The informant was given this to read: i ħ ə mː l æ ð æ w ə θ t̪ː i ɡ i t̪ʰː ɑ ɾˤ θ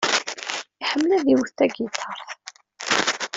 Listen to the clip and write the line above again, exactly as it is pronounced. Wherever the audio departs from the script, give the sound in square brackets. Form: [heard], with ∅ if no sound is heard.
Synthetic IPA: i ħ ə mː l æ ð [i] w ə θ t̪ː [æ] ɡ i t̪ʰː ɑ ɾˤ θ

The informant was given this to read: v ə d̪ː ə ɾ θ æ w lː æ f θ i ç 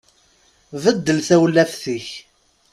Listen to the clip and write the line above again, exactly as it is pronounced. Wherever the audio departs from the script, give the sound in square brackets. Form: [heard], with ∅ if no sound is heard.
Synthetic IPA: v ə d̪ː ə [l] θ æ w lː æ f θ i ç

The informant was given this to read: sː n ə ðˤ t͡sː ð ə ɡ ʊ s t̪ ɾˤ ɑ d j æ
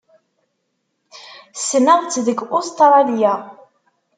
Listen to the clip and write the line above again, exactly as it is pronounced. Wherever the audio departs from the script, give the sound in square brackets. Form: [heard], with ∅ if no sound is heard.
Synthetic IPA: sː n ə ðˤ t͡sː ð ə ɡ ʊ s t̪ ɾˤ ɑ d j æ

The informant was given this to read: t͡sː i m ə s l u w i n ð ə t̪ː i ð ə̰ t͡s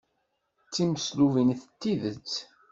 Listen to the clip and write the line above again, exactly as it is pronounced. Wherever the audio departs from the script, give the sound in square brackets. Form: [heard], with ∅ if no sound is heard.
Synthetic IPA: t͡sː i m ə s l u [v] i n [θ] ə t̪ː i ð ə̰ t͡s

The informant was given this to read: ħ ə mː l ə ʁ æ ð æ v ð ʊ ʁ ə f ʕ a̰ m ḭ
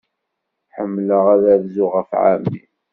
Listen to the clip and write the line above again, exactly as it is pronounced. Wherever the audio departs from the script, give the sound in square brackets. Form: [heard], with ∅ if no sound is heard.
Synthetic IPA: ħ ə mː l ə ʁ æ ð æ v [z] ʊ ʁ ə f ʕ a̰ m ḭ

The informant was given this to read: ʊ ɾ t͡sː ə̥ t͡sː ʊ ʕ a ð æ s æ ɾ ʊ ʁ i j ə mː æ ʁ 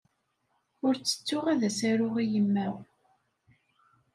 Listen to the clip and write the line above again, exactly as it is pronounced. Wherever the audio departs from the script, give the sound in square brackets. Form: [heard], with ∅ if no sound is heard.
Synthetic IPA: ʊ ɾ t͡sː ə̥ t͡sː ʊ [ʁ] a ð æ s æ ɾ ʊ ʁ i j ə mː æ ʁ

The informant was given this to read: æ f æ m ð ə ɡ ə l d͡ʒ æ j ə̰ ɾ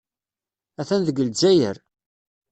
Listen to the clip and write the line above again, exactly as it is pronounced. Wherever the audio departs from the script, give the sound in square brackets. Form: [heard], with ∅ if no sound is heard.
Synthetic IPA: æ [θ] æ [n] ð ə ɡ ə l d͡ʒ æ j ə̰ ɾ

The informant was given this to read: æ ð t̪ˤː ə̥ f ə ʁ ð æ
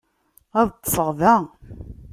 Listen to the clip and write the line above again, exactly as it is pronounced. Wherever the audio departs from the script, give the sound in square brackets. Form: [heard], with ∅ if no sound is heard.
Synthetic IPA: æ ð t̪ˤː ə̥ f ə ʁ ð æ

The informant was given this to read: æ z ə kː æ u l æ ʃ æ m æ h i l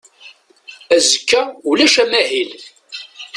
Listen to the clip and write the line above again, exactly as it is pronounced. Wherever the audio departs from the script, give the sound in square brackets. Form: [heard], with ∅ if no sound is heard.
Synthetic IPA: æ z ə kː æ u l æ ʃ æ m æ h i l

